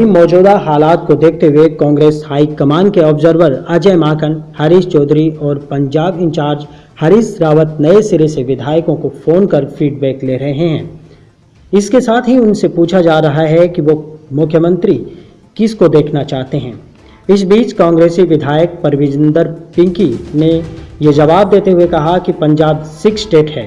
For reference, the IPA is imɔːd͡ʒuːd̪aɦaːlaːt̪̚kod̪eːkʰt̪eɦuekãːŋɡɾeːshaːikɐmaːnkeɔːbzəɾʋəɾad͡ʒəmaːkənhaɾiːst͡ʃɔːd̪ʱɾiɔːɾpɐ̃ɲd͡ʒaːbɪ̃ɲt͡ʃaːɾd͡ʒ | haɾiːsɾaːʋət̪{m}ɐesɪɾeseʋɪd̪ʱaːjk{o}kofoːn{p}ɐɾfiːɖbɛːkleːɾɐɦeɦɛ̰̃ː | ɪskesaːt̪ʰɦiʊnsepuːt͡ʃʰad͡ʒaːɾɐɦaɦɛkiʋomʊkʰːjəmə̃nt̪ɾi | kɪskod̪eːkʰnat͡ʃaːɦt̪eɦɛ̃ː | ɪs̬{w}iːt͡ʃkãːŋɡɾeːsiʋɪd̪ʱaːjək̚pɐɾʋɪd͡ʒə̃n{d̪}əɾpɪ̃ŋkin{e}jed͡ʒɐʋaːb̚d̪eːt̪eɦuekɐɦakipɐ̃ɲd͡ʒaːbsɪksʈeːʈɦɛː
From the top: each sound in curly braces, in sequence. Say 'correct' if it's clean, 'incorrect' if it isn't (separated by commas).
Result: incorrect, incorrect, incorrect, incorrect, correct, correct